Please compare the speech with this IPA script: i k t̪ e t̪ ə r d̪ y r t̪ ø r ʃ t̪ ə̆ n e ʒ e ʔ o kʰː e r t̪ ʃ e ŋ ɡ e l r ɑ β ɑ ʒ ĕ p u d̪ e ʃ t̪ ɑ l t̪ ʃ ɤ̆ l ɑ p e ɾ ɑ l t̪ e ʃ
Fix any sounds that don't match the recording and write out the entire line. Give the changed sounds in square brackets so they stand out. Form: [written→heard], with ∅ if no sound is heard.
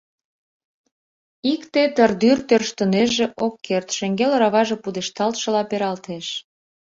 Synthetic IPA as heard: i k t̪ e t̪ ə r d̪ y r t̪ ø r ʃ t̪ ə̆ n e ʒ e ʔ o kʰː e r t̪ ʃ e ŋ ɡ e l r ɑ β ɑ ʒ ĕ p u d̪ e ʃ t̪ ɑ l t̪ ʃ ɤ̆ l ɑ p e ɾ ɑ l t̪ e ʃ